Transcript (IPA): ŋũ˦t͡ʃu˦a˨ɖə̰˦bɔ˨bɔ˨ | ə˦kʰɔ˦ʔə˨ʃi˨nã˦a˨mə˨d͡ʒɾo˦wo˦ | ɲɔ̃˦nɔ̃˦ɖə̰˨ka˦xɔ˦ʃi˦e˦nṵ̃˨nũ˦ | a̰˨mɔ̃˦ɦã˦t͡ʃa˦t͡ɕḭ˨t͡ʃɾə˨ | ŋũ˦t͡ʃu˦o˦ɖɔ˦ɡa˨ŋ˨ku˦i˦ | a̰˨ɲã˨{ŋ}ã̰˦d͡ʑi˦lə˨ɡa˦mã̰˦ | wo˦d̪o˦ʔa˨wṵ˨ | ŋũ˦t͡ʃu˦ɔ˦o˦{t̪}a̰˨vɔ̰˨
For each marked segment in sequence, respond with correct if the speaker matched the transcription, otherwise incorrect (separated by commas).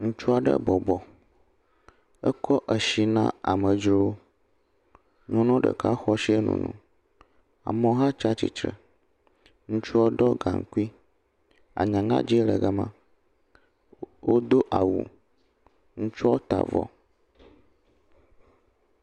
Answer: correct, correct